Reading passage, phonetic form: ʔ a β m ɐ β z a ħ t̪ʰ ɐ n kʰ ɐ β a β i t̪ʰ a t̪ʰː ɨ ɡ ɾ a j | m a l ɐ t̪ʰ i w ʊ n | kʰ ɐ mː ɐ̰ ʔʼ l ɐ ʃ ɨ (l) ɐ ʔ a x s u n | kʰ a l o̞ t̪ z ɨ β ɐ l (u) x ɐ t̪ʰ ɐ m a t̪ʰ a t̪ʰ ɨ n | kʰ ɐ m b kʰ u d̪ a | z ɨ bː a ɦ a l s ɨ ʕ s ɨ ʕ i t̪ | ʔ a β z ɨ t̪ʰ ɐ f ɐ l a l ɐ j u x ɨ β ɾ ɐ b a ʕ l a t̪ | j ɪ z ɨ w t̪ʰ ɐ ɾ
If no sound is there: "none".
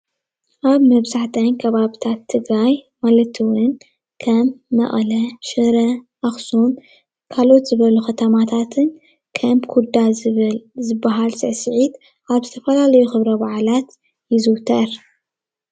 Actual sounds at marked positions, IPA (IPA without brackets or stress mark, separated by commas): ɾ, u